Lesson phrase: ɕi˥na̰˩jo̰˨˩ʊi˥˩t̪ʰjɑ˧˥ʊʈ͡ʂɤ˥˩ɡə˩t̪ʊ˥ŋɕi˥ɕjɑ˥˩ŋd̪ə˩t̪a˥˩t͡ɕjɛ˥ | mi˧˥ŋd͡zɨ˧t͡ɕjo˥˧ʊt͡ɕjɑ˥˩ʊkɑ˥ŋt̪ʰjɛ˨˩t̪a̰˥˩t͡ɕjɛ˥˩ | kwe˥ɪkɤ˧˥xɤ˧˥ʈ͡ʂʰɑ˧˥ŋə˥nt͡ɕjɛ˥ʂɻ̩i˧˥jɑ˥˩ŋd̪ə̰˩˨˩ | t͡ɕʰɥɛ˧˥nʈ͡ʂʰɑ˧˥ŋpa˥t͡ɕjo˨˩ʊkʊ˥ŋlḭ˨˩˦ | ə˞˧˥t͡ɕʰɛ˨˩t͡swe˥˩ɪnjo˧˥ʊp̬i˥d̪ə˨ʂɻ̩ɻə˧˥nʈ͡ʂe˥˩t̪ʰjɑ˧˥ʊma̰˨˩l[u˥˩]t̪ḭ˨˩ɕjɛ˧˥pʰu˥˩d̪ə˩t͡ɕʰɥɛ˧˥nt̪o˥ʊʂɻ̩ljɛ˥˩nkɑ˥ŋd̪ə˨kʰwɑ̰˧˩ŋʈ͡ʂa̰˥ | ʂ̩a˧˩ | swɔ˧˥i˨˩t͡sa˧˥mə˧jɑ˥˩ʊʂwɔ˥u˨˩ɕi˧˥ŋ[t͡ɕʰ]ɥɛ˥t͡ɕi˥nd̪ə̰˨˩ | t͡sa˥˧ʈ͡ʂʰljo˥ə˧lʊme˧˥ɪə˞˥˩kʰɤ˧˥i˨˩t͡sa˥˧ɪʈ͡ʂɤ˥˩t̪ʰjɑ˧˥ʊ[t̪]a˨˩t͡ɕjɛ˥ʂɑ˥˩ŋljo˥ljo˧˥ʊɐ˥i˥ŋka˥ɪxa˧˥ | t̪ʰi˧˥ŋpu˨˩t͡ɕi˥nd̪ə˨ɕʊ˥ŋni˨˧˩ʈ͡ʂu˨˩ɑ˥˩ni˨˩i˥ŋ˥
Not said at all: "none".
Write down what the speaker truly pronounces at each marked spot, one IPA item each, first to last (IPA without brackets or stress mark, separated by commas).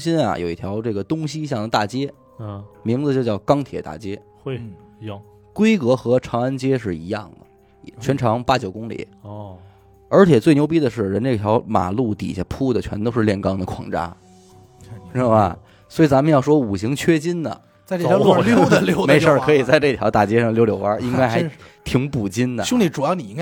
u˥˩, t͡ɕʰ, t̪